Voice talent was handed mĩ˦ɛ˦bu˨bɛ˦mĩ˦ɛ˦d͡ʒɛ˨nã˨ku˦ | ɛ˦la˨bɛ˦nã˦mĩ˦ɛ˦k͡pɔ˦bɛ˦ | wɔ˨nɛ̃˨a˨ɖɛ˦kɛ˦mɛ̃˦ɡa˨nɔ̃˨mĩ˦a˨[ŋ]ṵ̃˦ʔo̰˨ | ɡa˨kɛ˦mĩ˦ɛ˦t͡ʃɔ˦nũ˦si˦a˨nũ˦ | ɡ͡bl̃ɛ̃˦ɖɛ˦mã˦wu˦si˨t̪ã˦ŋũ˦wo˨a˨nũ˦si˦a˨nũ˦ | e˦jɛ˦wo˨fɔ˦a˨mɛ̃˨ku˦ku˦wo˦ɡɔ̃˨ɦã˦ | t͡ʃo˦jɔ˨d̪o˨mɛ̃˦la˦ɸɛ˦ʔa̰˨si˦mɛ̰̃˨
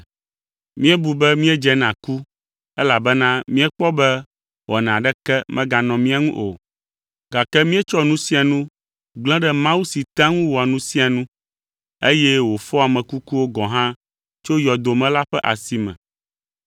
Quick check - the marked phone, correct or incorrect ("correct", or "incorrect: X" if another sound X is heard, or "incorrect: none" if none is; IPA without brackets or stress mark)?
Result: correct